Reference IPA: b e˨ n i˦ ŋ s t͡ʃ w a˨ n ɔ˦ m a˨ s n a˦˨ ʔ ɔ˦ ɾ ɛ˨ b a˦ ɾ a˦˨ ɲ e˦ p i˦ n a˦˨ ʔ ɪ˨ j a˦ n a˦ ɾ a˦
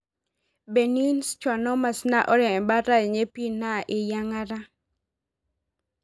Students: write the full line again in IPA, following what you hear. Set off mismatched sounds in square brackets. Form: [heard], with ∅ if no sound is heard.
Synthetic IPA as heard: b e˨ n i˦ [n] s t͡ʃ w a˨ n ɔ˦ m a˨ s n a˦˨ ʔ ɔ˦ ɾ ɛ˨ b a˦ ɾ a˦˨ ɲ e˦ p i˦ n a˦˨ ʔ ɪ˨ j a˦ [ŋ] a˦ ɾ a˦